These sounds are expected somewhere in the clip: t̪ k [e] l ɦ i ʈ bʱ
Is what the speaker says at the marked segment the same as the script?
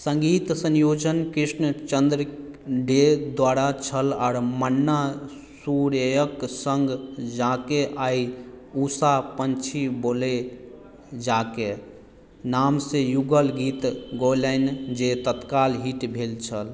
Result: no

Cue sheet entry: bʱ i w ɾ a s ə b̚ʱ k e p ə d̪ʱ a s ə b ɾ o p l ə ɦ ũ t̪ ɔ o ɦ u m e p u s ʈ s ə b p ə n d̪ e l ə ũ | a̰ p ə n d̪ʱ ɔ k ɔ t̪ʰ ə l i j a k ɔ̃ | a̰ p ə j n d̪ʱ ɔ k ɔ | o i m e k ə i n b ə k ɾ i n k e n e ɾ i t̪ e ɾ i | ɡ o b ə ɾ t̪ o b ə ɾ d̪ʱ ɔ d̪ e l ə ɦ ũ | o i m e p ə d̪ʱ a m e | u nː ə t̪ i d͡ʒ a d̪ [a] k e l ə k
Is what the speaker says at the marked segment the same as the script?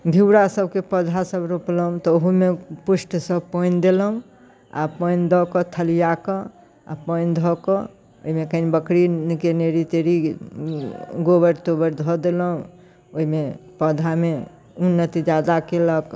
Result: yes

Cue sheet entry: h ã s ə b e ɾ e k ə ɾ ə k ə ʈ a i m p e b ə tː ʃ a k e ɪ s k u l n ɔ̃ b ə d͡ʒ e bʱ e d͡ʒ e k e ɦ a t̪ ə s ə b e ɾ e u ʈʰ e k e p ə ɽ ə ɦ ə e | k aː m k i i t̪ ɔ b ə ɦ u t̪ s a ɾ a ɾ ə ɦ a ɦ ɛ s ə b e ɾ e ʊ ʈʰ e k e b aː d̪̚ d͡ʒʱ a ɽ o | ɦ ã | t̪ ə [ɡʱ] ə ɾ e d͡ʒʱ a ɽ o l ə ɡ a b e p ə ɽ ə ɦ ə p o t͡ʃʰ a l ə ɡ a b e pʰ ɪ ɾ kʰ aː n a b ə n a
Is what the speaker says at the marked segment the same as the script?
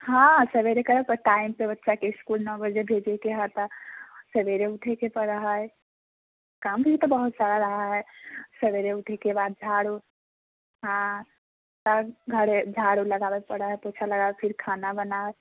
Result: yes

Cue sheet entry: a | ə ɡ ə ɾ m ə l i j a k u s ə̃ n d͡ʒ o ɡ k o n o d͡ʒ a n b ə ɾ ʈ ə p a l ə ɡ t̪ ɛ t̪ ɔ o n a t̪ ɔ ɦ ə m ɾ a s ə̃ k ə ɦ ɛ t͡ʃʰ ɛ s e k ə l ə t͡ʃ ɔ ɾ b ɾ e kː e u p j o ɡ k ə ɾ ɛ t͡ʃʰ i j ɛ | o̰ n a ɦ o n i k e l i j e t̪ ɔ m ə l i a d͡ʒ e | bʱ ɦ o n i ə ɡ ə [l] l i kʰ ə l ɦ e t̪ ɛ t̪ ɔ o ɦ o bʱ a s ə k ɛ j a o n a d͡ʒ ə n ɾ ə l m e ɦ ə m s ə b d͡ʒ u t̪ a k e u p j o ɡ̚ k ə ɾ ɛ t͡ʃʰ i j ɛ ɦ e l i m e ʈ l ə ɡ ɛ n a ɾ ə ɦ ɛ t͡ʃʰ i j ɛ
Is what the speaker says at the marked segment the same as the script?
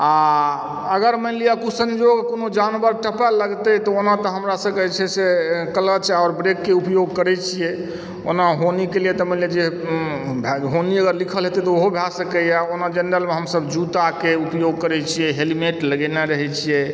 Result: no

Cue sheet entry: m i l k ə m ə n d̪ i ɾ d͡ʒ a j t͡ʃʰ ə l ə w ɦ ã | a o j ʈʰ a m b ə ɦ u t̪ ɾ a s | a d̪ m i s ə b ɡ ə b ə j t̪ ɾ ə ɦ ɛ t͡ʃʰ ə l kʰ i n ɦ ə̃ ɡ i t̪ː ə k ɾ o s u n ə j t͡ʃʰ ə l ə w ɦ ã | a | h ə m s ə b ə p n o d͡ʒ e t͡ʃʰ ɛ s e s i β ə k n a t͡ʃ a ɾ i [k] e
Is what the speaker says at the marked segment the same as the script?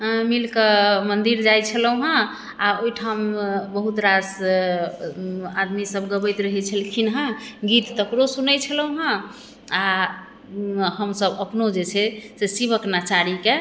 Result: yes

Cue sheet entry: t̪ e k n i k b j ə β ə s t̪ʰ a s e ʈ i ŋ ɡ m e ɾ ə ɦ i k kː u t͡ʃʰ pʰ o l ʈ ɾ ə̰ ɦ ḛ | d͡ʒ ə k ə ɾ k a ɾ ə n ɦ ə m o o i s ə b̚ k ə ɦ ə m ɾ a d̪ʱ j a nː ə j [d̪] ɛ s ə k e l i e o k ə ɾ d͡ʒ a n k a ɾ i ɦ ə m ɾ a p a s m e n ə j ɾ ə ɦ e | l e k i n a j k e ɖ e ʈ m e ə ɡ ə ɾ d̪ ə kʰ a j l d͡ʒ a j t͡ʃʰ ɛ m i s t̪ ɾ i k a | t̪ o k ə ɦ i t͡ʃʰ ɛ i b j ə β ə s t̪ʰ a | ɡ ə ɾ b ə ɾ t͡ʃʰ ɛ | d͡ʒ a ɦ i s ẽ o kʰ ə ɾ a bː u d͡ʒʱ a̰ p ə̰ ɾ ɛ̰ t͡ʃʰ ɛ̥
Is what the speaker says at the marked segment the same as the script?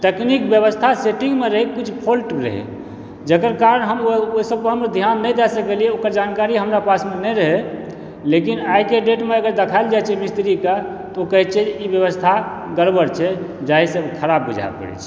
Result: yes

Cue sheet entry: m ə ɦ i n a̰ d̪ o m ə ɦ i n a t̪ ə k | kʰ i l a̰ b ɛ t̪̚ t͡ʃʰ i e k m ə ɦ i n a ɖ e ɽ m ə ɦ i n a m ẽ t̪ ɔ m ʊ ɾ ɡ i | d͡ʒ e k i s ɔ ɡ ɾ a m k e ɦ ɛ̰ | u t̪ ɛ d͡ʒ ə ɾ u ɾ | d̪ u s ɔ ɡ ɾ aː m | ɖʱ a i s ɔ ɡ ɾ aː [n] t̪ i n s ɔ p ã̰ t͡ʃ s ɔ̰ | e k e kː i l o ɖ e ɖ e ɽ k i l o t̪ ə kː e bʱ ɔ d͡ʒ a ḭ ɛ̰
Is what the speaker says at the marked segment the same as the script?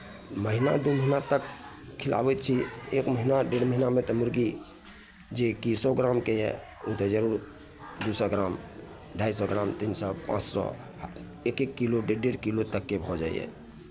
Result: no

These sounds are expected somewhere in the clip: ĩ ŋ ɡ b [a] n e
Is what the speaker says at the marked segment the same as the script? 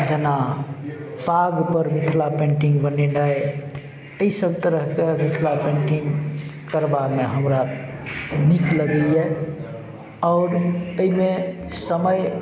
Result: no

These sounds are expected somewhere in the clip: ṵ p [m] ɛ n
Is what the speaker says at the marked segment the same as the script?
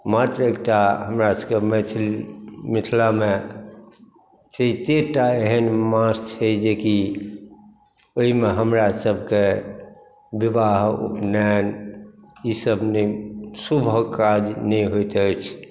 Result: no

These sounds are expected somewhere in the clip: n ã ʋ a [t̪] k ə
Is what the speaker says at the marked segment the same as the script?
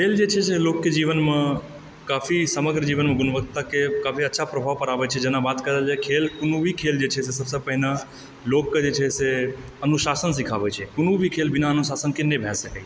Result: yes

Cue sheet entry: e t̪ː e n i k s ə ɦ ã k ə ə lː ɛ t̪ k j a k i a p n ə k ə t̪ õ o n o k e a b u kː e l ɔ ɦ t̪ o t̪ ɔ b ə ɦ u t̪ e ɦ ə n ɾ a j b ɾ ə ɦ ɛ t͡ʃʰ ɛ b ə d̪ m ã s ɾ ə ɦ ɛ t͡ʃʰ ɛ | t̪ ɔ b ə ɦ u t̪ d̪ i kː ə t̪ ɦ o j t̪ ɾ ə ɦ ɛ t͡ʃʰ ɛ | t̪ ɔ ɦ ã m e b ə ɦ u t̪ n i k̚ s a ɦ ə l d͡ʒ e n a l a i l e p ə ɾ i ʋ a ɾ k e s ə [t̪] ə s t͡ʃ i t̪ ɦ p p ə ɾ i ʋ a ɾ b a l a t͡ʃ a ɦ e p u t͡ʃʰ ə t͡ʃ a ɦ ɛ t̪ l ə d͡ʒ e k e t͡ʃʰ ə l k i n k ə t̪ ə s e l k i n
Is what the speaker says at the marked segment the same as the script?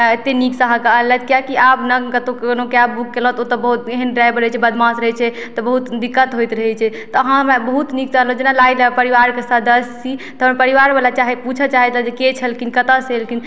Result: no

